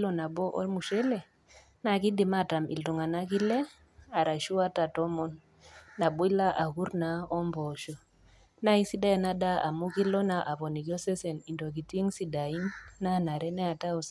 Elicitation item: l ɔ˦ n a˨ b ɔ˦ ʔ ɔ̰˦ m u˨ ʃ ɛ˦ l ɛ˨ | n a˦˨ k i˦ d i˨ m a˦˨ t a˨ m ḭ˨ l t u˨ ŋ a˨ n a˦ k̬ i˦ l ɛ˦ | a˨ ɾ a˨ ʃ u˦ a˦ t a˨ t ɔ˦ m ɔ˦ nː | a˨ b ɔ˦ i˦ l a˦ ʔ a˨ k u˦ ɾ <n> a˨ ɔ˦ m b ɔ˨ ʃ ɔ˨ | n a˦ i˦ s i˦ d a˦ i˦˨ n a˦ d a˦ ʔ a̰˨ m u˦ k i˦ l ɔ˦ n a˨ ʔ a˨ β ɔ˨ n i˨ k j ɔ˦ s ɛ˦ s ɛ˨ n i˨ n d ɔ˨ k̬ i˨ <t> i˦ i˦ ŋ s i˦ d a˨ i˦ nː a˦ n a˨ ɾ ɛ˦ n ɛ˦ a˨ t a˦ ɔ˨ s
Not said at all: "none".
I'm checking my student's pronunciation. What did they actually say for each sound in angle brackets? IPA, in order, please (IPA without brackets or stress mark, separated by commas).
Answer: n, t